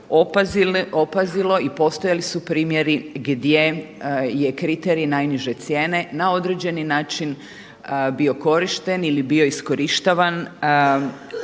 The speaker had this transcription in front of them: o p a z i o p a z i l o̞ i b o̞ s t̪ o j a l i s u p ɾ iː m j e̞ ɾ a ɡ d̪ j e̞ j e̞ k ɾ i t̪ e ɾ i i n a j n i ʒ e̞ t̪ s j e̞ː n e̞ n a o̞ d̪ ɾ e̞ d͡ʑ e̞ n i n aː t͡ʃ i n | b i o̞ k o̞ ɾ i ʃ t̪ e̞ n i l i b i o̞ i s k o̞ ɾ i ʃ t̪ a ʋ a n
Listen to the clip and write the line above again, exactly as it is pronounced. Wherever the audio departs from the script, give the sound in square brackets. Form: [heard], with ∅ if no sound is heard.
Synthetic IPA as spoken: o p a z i o p a z i l o̞ i [p] o̞ s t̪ o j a l i s u p ɾ iː m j e̞ ɾ [i] ɡ d̪ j e̞ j e̞ k ɾ i t̪ e ɾ i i n a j n i ʒ e̞ t̪ s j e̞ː n e̞ n a o̞ d̪ ɾ e̞ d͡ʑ e̞ n i n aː t͡ʃ i n | b i o̞ k o̞ ɾ i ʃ t̪ e̞ n i l i b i o̞ i s k o̞ ɾ i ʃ t̪ a ʋ a n